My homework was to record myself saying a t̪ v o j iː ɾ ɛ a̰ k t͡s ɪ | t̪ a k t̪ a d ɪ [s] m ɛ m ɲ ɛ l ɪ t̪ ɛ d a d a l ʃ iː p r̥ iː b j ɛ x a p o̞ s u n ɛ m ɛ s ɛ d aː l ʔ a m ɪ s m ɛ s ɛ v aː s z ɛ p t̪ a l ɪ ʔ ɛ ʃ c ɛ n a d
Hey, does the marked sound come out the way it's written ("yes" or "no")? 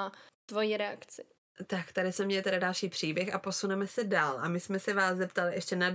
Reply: yes